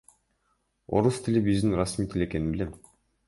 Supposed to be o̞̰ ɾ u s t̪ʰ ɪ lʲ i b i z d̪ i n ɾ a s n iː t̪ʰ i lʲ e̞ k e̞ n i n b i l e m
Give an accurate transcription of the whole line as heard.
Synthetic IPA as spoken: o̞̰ ɾ u s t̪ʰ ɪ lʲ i b i z d̪ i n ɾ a s m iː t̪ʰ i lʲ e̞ k e̞ n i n b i l e m